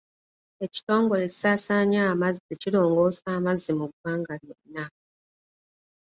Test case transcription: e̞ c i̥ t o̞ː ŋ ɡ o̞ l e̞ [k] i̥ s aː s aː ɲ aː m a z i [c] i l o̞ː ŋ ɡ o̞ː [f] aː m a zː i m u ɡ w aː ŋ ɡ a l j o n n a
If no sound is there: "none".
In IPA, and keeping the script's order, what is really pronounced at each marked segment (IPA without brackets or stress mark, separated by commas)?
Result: c, c, s